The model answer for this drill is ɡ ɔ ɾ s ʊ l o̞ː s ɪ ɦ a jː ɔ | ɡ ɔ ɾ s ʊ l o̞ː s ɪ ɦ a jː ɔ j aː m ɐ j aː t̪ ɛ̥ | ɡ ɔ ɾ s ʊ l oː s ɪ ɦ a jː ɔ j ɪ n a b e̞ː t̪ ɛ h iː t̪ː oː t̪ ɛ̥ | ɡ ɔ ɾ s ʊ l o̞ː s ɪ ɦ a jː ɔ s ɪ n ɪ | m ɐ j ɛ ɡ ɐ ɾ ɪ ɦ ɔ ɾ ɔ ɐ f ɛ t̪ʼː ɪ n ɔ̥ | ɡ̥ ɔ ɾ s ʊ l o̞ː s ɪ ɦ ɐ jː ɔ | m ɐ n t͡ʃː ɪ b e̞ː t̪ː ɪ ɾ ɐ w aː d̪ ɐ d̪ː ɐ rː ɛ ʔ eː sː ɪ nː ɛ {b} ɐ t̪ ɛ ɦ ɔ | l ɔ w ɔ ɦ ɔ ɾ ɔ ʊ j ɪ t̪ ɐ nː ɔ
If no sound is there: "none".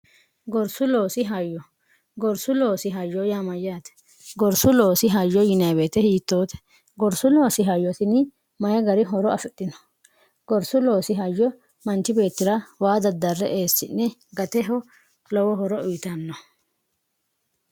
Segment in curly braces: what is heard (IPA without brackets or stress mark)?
ɡ